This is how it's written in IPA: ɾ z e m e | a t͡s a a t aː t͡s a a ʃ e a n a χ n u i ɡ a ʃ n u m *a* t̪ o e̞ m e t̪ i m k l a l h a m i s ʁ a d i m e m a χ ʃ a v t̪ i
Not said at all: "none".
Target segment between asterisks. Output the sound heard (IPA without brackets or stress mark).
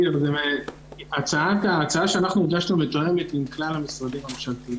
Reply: e